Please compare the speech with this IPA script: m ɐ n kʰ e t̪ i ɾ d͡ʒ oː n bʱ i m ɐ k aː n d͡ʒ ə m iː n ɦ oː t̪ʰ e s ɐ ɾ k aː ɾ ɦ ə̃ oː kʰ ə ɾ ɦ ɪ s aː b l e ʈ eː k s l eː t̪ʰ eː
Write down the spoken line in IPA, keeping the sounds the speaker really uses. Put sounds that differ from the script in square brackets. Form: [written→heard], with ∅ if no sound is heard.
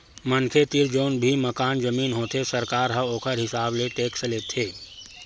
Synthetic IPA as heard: m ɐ n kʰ e t̪ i ɾ d͡ʒ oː n bʱ i m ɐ k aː n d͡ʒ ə m iː n ɦ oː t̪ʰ e s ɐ ɾ k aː ɾ ɦ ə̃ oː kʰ ə ɾ ɦ ɪ s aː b l e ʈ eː k s l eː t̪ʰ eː